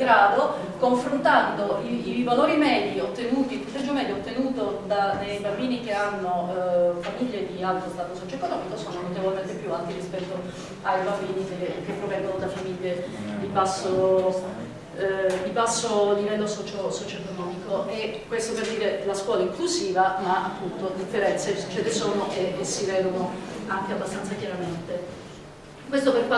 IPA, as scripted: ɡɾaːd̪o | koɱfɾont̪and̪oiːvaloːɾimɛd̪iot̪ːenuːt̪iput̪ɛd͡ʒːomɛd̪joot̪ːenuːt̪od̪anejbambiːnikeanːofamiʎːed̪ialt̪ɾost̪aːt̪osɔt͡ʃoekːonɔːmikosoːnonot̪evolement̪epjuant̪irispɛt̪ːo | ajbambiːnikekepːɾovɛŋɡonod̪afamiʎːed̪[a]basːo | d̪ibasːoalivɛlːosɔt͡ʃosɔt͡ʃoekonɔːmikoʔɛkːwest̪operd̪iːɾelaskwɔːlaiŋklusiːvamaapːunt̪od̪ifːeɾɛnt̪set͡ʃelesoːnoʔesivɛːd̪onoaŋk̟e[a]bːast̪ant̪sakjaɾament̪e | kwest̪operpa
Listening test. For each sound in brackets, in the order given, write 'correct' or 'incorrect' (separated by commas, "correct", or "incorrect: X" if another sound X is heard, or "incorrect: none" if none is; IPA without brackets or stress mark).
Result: incorrect: i, correct